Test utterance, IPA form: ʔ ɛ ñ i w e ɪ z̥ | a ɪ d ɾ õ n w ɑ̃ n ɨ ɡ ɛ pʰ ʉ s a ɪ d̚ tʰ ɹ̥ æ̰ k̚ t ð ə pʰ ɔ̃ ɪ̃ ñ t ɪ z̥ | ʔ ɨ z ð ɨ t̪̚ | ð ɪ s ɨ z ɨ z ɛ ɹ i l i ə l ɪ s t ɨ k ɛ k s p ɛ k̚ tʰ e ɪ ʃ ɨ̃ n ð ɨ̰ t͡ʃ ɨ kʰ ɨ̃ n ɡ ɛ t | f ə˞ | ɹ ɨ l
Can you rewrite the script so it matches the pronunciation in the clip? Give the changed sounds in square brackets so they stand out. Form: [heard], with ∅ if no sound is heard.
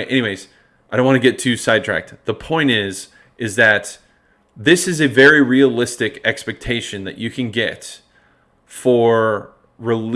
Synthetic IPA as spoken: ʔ ɛ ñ i w e ɪ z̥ | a ɪ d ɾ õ n w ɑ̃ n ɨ ɡ ɛ [tʰ] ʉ s a ɪ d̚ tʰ ɹ̥ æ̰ k̚ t ð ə pʰ ɔ̃ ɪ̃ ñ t ɪ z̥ | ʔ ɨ z ð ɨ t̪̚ | ð ɪ s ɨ z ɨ [v] ɛ ɹ i [ɹ] i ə l ɪ s t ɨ k ɛ k s p ɛ k̚ tʰ e ɪ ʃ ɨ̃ n ð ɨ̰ t͡ʃ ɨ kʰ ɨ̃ n ɡ ɛ t | f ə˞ | ɹ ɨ l